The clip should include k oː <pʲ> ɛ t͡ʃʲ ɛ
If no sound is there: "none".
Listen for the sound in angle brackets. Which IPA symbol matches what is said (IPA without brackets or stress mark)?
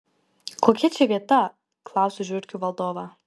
kʲ